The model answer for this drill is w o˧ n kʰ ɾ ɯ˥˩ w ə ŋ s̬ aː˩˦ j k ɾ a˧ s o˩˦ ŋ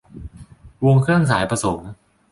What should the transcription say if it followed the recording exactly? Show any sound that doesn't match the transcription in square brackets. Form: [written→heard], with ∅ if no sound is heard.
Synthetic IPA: w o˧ [n→ŋ] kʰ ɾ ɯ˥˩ [w→∅] ə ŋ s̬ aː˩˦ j [k→p] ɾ a˧ s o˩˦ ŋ